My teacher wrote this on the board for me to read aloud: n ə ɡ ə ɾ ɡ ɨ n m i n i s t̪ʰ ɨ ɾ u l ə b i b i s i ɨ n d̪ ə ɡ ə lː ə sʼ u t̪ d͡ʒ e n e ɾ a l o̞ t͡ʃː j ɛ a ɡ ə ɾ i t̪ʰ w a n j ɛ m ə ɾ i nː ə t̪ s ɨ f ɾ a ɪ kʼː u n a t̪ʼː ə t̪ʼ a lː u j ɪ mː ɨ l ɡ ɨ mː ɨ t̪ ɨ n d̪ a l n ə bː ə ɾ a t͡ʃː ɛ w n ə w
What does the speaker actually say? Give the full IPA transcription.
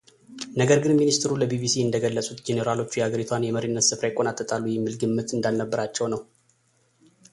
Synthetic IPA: n ə ɡ ə ɾ ɡ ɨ n m i n i s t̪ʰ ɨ ɾ u l ə b i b i s i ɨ n d̪ ə ɡ ə lː ə sʼ u t̪ d͡ʒ e n e ɾ a l o̞ t͡ʃː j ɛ a ɡ ə ɾ i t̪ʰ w a n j ɛ m ə ɾ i nː ə t̪ s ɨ f ɾ a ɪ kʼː o n a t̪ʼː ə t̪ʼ a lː u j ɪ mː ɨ l ɡ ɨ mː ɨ t̪ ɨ n d̪ a l n ə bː ə ɾ a t͡ʃː ɛ w n ə w